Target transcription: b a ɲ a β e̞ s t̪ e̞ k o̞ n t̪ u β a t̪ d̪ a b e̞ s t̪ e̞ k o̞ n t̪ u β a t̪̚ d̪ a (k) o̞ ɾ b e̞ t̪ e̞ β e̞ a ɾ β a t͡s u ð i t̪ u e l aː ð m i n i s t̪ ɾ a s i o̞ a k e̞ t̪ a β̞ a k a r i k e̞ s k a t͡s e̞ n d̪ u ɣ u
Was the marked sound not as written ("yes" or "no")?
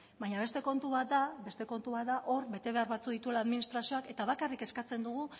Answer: yes